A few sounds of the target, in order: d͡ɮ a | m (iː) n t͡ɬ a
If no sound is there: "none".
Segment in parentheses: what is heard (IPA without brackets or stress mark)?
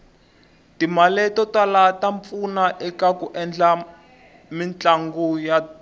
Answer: i